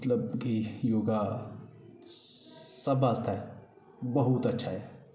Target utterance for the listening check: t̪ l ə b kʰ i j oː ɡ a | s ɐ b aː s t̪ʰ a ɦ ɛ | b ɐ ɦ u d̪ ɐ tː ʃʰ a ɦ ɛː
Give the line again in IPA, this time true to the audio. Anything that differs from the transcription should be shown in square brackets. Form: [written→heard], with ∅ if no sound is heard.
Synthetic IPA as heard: t̪ l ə b [kʰ→k] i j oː ɡ a | s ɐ b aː s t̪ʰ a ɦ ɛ | b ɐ ɦ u [d̪→t̪] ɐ tː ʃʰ a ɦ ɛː